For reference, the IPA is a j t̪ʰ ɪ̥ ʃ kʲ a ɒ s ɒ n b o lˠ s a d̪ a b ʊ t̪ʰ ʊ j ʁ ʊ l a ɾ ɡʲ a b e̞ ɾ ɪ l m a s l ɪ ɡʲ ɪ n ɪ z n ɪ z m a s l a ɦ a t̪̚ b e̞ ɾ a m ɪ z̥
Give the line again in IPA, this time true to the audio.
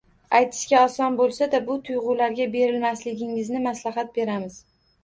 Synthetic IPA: a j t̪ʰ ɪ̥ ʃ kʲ a ɒ s ɒ n b o lˠ s a d̪ a b ʊ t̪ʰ ʊ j ʁ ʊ l a ɾ ɡʲ a b e̞ ɾ ɪ l m a s l ɪ ɡʲ ɪ ŋ ɪ z n ɪ m a s l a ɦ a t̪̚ b e̞ ɾ a m ɪ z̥